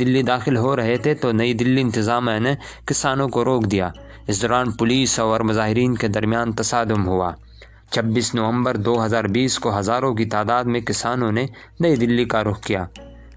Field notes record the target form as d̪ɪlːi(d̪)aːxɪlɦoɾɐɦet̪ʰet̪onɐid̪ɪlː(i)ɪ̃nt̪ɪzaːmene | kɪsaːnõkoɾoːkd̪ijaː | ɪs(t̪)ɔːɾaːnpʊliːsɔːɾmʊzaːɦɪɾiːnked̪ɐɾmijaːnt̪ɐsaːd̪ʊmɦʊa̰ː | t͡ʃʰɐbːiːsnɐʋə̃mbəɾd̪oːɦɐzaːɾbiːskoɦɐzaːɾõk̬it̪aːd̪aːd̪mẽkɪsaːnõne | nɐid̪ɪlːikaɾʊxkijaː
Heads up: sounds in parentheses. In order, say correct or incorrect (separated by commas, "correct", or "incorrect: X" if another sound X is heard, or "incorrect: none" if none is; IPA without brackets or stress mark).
correct, correct, incorrect: d̪